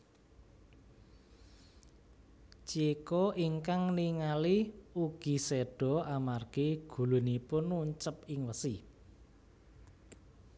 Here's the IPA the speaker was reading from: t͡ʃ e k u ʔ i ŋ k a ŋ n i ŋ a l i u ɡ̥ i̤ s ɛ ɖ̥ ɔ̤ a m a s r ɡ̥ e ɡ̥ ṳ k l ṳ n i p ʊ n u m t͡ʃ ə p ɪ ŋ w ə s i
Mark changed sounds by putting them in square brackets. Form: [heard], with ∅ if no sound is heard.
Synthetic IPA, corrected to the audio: t͡ʃ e k [ɔ] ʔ i ŋ k a ŋ n i ŋ a l i u ɡ̥ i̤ s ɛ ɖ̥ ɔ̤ a m a [∅] r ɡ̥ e ɡ̥ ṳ [∅] l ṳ n i p ʊ n u [ɲ] t͡ʃ ə p ɪ ŋ w ə s i